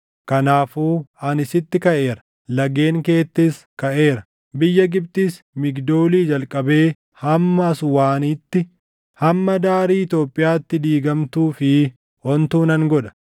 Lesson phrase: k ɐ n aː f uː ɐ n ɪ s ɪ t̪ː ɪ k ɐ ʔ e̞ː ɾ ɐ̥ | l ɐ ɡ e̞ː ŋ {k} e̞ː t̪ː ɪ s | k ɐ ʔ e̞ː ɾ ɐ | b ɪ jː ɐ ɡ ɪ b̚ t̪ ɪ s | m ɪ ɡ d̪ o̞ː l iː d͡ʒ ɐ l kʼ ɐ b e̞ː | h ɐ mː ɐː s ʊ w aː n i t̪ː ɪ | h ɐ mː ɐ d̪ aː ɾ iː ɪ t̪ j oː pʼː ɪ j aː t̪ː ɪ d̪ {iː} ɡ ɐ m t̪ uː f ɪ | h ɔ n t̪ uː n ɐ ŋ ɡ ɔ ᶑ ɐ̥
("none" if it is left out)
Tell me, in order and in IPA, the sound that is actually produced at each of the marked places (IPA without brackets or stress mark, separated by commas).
k, iː